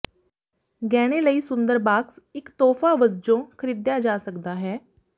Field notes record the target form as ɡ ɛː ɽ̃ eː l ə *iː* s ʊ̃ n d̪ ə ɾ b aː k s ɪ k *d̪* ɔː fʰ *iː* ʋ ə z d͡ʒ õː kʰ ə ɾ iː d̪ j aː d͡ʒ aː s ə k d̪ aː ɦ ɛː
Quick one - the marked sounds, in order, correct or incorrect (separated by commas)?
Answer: correct, incorrect, incorrect